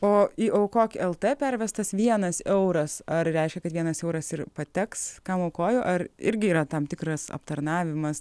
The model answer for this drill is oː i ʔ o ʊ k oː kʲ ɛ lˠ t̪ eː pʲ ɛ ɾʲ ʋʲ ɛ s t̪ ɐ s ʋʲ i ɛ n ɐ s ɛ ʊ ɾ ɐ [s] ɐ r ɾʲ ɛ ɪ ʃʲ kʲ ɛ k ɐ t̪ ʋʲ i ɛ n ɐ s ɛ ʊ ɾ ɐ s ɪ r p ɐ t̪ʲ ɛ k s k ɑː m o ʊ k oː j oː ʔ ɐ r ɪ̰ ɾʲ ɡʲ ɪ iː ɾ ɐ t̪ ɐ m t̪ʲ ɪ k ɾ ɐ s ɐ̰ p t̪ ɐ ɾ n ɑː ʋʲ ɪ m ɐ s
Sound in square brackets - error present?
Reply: no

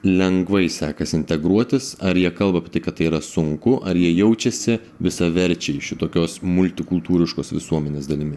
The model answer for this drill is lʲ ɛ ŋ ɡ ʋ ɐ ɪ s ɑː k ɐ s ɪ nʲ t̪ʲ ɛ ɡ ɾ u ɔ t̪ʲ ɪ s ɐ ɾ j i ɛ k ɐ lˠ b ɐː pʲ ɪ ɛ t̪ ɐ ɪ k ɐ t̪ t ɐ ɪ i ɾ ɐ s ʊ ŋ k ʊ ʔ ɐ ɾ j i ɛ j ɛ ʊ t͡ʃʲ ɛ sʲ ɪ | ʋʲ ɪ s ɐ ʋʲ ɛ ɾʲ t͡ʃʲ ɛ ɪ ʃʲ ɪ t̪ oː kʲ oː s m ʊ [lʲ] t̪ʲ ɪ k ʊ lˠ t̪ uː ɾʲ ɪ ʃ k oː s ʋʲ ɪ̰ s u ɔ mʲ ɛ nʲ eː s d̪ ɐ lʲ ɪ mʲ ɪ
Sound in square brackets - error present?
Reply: no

